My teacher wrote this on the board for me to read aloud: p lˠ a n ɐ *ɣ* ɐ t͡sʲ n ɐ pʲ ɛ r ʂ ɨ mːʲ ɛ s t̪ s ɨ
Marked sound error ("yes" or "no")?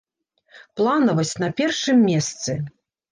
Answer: yes